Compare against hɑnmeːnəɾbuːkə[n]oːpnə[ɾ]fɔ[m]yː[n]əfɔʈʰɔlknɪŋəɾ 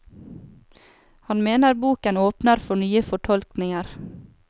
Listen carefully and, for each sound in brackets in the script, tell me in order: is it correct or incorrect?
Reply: correct, correct, incorrect, incorrect

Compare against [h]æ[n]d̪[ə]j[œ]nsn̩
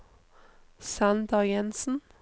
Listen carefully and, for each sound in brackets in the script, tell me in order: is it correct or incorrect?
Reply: incorrect, correct, incorrect, incorrect

